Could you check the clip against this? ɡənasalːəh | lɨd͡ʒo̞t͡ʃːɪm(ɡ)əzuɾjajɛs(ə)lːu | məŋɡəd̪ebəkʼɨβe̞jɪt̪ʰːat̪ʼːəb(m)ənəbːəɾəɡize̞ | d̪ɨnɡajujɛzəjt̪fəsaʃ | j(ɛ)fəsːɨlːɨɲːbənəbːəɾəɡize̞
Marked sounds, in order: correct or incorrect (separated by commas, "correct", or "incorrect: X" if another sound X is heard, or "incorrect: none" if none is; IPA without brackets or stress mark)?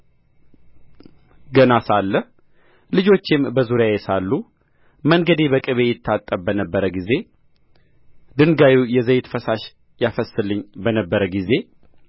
incorrect: b, incorrect: a, incorrect: b, incorrect: a